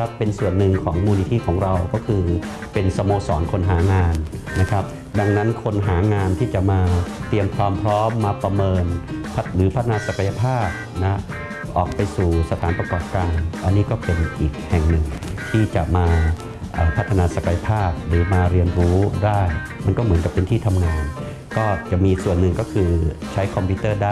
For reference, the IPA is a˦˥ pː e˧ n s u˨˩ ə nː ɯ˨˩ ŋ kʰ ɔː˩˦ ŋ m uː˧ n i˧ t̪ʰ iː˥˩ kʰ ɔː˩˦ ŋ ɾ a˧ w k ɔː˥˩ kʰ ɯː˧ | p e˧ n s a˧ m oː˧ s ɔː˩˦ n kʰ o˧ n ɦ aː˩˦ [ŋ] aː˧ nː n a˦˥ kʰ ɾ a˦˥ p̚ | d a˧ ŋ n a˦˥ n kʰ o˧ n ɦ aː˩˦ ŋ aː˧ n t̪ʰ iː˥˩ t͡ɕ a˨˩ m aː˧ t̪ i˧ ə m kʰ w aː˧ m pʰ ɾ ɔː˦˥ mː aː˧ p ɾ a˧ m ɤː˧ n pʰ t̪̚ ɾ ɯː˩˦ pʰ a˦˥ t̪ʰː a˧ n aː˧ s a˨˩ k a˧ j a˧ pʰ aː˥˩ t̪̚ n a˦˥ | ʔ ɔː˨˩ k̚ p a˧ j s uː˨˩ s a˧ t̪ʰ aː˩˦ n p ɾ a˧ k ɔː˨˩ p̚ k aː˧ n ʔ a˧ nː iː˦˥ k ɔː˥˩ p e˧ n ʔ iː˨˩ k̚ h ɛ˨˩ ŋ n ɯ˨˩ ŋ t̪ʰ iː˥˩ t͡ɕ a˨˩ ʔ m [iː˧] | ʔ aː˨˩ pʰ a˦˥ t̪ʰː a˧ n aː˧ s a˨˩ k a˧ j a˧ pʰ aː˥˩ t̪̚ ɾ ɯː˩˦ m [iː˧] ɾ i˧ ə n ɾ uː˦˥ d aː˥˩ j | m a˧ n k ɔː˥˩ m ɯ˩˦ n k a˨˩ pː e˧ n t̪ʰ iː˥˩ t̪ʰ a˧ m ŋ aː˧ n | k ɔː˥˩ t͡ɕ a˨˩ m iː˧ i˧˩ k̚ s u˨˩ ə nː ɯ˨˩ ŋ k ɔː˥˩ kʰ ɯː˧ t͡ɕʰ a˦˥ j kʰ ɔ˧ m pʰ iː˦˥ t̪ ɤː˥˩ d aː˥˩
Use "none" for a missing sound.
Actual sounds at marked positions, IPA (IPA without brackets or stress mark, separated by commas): ŋ, aː˧, aː˧